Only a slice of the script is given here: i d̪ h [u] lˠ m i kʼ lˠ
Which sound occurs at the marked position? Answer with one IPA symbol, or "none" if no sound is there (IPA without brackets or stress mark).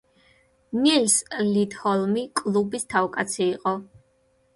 ɔ